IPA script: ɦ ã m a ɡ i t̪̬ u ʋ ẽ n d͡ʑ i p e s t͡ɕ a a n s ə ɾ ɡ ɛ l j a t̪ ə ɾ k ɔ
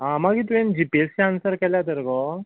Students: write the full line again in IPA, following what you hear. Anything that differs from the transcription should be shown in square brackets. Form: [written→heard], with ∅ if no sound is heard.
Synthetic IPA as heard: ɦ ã m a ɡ i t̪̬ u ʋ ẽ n d͡ʑ i p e s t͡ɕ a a n s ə ɾ [ɡ→k] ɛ l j a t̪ ə ɾ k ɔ

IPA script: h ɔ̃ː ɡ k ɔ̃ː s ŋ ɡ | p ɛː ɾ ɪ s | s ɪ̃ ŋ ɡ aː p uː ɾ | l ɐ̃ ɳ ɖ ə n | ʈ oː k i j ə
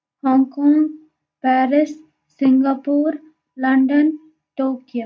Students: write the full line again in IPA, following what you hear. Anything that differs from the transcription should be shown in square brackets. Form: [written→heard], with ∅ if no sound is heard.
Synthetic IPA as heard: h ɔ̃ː [ɡ→ŋ] k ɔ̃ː [s→∅] ŋ ɡ | p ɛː ɾ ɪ s | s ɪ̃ ŋ ɡ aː p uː ɾ | l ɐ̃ ɳ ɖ ə n | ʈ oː k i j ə

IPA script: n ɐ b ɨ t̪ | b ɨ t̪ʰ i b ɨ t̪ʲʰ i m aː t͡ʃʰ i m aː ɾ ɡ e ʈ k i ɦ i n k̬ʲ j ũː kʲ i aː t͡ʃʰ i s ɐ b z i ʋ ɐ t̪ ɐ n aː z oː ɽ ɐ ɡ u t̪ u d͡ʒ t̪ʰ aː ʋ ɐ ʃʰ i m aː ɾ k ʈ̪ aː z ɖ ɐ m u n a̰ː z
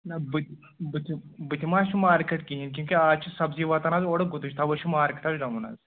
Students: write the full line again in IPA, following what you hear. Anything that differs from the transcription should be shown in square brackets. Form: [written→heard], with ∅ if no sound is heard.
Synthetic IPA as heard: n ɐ b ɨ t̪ | b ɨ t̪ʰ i b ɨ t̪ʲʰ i m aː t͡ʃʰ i m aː ɾ [ɡ→k] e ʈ k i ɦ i n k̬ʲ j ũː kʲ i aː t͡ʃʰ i s ɐ b z i ʋ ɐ t̪ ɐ n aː z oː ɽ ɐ ɡ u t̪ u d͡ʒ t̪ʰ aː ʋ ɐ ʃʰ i m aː ɾ k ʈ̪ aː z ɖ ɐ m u n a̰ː z

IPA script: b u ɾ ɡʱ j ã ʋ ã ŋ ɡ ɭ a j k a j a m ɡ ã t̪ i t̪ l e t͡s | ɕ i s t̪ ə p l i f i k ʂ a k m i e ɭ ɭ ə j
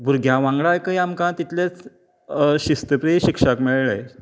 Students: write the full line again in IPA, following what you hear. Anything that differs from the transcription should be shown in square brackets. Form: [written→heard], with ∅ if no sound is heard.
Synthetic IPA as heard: b u ɾ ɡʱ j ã ʋ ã ŋ ɡ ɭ a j k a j a m [ɡ→k] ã t̪ i t̪ l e t͡s | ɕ i s t̪ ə p [l→ɾ] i [f→ɕ] i k ʂ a k m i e ɭ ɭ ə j

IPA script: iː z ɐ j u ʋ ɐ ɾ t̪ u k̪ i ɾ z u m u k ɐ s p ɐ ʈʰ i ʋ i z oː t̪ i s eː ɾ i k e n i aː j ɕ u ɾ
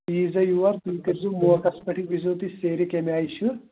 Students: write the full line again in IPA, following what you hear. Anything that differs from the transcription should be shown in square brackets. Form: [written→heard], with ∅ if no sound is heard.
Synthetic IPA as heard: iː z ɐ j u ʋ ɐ ɾ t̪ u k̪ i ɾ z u m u k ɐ s p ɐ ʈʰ i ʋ i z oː t̪ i s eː ɾ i k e [n→m] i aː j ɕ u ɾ

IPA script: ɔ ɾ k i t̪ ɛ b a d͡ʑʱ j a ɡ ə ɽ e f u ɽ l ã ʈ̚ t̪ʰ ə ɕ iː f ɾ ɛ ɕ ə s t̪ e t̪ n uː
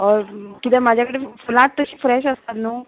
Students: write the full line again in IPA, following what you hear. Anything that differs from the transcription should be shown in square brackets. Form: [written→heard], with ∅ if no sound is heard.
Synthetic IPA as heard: ɔ ɾ k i t̪ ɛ [b→m] a d͡ʑʱ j a [ɡ→k] ə ɽ e f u [ɽ→∅] l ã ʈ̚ [t̪ʰ→t̪] ə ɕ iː f ɾ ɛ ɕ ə s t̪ [e→a] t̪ n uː

